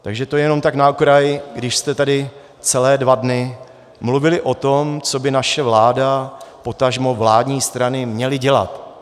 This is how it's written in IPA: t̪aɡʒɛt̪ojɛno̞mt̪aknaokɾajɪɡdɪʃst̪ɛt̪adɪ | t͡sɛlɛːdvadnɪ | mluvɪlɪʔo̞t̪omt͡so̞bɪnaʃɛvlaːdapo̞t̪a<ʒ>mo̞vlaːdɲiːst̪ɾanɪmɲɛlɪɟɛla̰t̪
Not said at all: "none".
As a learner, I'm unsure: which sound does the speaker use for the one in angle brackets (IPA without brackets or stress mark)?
ʒ